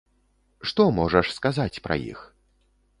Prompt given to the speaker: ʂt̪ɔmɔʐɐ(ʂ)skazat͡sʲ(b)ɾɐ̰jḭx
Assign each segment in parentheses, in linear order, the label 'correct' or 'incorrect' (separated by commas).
correct, incorrect